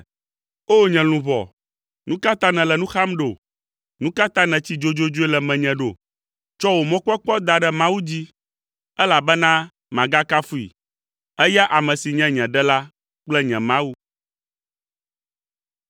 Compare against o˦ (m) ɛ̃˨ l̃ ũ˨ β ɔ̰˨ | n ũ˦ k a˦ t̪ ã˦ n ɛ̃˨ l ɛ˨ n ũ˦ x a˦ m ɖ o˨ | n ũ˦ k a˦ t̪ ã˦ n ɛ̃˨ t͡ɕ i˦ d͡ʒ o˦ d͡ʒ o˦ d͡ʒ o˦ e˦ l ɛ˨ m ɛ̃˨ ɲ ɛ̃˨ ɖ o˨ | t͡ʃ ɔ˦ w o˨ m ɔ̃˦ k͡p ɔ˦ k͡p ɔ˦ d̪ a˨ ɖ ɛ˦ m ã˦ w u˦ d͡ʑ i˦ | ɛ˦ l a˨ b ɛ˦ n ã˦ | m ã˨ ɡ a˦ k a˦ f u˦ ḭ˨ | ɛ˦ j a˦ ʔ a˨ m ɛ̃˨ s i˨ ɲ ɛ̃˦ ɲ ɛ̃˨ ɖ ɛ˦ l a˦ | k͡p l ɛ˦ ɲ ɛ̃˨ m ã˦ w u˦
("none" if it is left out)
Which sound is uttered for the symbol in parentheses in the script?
ɲ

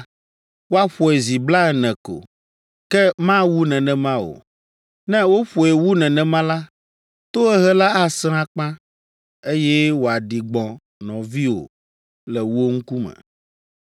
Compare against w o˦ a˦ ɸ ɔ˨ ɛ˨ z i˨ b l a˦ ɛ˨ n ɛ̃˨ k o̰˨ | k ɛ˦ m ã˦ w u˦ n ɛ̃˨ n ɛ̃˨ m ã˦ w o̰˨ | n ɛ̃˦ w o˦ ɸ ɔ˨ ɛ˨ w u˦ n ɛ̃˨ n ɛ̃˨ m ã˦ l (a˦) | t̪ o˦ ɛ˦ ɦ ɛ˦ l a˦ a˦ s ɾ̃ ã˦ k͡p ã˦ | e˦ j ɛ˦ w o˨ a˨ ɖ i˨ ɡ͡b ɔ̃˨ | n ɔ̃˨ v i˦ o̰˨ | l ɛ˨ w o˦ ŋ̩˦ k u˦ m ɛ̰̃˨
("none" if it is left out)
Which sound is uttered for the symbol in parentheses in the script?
a˦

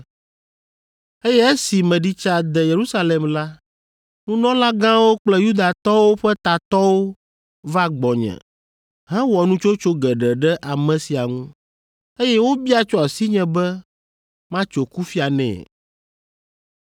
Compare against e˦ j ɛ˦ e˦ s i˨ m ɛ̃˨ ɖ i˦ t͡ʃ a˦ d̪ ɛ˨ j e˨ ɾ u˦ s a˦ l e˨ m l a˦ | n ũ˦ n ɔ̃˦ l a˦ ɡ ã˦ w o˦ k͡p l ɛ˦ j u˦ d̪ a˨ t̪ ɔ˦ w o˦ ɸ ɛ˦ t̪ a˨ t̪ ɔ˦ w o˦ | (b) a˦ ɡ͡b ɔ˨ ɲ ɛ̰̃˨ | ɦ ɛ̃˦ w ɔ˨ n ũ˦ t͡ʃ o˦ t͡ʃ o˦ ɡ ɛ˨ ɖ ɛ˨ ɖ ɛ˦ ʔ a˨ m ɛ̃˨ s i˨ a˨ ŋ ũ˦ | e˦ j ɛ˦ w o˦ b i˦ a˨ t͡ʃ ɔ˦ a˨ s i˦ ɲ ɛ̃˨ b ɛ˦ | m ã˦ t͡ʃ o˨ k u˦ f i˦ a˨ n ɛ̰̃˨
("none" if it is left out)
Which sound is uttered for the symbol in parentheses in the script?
v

